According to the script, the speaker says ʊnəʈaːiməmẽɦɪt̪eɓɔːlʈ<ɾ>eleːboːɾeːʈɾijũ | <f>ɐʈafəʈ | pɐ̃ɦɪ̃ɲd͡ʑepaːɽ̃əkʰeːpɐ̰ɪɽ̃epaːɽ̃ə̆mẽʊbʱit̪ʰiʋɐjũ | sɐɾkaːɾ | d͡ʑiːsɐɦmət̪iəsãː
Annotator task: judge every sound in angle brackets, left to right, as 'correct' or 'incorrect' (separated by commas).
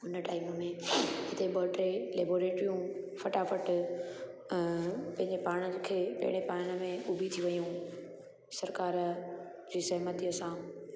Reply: correct, correct